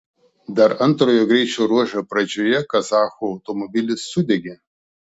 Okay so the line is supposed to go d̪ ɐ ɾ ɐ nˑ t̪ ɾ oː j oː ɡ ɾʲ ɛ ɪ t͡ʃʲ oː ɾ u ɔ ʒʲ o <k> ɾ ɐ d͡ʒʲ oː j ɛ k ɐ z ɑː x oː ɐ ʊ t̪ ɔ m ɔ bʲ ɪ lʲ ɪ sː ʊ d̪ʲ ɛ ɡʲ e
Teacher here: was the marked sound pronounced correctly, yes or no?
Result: no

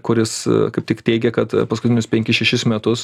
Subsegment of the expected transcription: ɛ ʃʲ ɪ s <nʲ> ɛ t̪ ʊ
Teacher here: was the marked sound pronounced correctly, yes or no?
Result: no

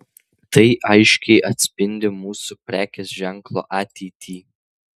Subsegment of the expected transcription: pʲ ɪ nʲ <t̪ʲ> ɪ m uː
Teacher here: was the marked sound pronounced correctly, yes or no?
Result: no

